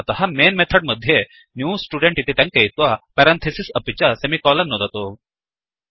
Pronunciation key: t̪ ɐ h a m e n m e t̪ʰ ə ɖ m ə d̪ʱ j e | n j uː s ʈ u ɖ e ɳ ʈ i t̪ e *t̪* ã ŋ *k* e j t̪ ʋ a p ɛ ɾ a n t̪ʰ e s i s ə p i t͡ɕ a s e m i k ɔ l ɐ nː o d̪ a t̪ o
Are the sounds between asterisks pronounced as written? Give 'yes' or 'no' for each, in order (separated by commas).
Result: yes, yes